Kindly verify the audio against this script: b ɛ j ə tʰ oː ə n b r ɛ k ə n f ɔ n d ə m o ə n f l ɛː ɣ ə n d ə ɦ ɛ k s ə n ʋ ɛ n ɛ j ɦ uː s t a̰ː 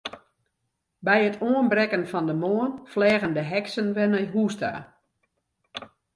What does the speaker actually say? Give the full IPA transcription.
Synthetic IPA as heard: b ɛ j ə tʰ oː ə n b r ɛ k ə n f ɔ n d ə m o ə n f l ɛː ɣ ə n d ə ɦ ɛ k s ə n ʋ ɛ n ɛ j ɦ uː s t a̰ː